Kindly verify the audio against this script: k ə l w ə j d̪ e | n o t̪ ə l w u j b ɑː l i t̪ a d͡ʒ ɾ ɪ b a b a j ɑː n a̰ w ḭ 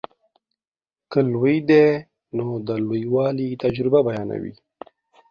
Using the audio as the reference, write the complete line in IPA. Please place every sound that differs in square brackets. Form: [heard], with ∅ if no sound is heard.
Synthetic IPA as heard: k ə l w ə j d̪ e | n o [d̪] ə l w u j [w] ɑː l i t̪ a d͡ʒ ɾ ɪ b a b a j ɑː n a̰ w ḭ